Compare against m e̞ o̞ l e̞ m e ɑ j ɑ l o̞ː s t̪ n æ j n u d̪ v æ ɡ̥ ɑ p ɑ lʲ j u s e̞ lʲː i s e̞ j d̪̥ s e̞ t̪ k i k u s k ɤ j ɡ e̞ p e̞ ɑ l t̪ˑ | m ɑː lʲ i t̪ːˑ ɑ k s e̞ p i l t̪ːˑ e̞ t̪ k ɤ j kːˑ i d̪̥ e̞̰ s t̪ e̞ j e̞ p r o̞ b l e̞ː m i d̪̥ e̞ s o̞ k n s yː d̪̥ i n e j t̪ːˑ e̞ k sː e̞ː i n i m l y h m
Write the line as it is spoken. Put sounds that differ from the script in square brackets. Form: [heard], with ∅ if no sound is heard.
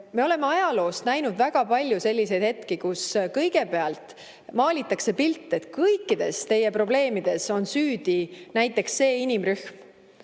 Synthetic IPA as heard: m e̞ o̞ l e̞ m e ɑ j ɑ l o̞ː s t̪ n æ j n u d̪ v æ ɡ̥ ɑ p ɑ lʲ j u s e̞ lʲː i s e̞ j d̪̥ [h] e̞ t̪ k i k u s k ɤ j ɡ e̞ p e̞ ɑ l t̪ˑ | m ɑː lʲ i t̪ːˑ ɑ k s e̞ p i l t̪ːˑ e̞ t̪ k ɤ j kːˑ i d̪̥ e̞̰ s t̪ e̞ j e̞ p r o̞ b l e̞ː m i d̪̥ e̞ s o̞ [∅] n s yː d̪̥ i n [æ] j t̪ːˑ e̞ k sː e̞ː i n i m [r] y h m